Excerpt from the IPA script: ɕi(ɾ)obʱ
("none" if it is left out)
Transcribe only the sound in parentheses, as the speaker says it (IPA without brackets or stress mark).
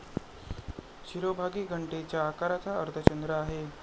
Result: ɾ